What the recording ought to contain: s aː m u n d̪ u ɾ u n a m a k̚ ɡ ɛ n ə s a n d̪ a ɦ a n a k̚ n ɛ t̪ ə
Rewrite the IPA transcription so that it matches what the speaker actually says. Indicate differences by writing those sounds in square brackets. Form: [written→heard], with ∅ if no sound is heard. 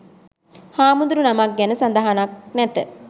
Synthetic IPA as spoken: [s→h] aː m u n d̪ u ɾ u n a m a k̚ ɡ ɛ n ə s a n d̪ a ɦ a n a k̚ n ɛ t̪ ə

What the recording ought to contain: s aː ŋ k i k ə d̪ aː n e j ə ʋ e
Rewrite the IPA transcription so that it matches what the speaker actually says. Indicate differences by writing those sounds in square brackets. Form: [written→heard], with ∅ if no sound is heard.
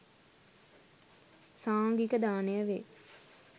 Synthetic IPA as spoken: s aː ŋ [k→ɡ] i k ə d̪ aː n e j ə ʋ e

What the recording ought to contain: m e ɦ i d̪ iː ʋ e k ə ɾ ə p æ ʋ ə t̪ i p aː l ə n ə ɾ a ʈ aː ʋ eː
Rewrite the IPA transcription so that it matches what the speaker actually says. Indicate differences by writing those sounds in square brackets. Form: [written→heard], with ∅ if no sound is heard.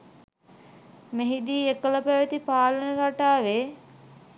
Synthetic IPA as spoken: m e ɦ i d̪ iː [ʋ→∅] e k ə [ɾ→l] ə p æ ʋ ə t̪ i p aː l ə n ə ɾ a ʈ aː ʋ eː

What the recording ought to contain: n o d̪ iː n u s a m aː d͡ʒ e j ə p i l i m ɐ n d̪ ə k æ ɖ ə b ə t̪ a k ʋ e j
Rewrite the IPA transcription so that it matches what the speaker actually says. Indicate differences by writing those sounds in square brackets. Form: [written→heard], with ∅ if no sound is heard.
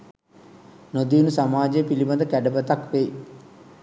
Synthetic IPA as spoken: n o d̪ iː n u s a m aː d͡ʒ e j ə p i l i [m→b] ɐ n d̪ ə k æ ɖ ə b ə t̪ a k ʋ e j

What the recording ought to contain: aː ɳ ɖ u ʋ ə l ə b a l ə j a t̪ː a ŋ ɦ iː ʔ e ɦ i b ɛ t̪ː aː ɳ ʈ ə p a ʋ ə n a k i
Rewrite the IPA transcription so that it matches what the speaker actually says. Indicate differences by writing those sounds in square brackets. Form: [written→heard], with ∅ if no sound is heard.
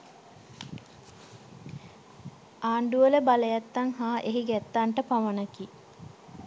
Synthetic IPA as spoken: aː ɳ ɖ u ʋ ə l ə b a l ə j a t̪ː a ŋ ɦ [iː→aː] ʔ e ɦ i [b→ɡ] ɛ t̪ː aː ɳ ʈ ə p a ʋ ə n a k i

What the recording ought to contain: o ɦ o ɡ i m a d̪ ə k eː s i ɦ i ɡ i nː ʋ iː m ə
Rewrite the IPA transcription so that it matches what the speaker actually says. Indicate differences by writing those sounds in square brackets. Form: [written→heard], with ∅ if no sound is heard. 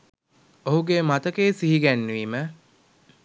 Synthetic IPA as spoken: o ɦ [o→u] ɡ [i→e] m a [d̪→t̪] ə k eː s i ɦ i ɡ [i→æ] nː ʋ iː m ə

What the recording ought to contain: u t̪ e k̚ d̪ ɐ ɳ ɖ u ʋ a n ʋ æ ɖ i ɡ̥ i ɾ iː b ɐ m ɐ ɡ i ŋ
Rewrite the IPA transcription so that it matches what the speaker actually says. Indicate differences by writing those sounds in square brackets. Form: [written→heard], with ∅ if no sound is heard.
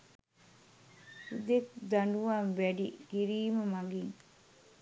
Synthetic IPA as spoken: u [t̪→d̪] e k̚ d̪ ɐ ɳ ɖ u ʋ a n ʋ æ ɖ i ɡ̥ i ɾ iː [b→m] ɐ m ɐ ɡ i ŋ

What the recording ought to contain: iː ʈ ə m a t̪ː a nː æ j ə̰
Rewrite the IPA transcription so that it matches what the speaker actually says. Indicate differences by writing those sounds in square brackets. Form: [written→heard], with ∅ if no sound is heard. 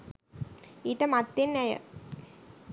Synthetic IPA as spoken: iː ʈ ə m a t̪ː [a→e] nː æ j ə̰

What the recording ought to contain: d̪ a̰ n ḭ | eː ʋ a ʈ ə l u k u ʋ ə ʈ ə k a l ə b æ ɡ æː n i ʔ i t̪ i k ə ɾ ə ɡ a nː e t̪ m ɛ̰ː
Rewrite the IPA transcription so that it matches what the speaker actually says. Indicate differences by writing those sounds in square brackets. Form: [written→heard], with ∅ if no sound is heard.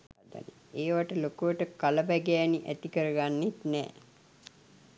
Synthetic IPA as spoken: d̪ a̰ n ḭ | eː ʋ a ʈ ə l [u→o] k u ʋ ə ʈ ə k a l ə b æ ɡ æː n i ʔ [i→æ] t̪ i k ə ɾ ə ɡ a nː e t̪ [m→n] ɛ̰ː

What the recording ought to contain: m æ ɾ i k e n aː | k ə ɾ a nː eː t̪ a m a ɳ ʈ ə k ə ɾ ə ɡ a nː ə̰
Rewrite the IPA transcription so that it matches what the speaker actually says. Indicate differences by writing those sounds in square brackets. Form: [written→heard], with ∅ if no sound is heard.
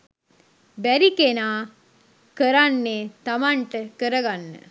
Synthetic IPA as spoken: [m→b] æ ɾ i k e n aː | k ə ɾ a nː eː t̪ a m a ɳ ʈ ə k ə ɾ ə ɡ a nː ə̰

